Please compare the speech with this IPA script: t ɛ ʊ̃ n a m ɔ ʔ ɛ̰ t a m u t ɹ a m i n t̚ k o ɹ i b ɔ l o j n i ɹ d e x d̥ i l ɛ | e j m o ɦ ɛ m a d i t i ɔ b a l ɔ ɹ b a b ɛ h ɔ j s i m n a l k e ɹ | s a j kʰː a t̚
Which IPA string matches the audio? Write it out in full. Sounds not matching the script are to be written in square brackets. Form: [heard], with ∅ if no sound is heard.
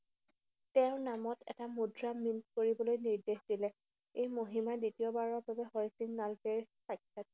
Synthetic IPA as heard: t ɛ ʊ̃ n a m ɔ [t] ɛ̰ t a m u [d] ɹ a m i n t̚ k o ɹ i b ɔ l o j n i ɹ d e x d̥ i l ɛ | e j m o ɦ [i] m a d i t i ɔ b a [ɹ] ɔ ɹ b a b ɛ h ɔ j s i [ŋ] n a l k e ɹ | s a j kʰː a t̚